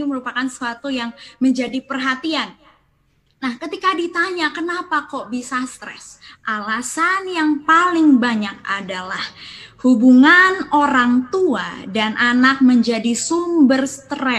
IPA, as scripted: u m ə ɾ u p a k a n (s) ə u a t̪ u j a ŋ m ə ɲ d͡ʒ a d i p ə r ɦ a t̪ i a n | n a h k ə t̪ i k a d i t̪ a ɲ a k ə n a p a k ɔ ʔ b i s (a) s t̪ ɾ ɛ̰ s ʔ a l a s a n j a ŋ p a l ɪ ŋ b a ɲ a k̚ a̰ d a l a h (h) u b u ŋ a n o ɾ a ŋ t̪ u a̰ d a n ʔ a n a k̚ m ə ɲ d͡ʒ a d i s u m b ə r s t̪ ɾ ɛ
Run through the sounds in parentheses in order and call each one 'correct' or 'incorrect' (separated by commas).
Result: correct, correct, correct